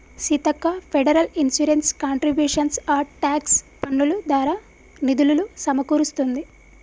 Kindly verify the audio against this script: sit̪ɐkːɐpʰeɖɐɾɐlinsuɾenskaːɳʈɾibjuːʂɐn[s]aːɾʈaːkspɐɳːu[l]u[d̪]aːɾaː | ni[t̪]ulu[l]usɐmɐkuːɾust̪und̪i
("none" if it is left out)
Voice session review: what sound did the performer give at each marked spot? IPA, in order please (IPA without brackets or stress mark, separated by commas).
s, l, d̪, d̪, l